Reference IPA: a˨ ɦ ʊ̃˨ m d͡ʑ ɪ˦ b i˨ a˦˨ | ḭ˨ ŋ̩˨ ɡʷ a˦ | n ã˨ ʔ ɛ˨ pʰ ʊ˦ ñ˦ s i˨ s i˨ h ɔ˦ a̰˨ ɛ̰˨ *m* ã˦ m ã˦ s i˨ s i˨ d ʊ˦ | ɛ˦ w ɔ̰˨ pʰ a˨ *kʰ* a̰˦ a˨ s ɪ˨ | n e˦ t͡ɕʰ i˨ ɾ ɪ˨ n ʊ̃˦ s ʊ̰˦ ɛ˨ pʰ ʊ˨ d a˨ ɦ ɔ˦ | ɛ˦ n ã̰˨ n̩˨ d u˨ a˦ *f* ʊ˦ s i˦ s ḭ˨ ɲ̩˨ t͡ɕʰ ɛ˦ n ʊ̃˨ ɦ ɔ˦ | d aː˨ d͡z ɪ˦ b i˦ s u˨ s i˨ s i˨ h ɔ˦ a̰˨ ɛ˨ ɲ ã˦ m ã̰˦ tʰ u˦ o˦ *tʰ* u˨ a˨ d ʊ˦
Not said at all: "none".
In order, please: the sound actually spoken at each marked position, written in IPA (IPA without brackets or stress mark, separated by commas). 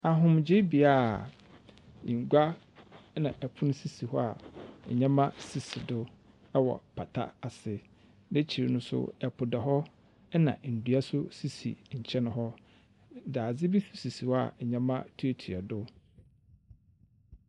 ɲ, tʰ, s, tʰ